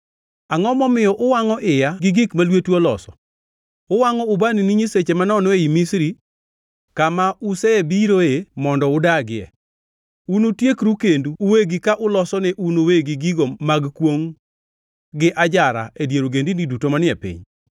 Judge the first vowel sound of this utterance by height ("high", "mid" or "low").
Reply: low